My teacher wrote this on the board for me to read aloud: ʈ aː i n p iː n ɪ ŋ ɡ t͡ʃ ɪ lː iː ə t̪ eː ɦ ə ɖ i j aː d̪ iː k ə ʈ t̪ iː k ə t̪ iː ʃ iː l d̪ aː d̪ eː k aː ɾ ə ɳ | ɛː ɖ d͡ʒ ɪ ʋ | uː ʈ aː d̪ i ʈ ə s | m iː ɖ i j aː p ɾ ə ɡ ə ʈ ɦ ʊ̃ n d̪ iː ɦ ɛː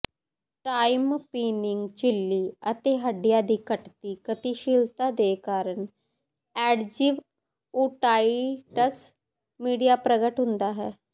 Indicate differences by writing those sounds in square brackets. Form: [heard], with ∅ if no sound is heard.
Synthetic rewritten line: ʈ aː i [m] p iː n ɪ ŋ ɡ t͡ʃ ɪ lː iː ə t̪ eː ɦ ə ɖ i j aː d̪ iː k ə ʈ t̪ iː k ə t̪ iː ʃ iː l [t̪] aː d̪ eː k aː ɾ ə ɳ | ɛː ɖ d͡ʒ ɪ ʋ | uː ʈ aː [∅] i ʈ ə s | m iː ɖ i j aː p ɾ ə ɡ ə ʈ ɦ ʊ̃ n d̪ [aː] ɦ ɛː